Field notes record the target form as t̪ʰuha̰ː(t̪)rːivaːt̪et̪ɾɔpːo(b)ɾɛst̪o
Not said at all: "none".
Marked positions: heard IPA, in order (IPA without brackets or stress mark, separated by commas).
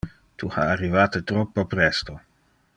none, p